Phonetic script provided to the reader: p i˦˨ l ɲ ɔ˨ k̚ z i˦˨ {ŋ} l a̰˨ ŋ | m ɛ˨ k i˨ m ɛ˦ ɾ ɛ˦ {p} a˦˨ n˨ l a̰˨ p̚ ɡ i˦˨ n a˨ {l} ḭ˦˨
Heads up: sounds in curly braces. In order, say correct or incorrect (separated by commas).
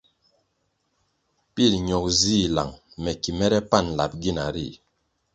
incorrect, correct, incorrect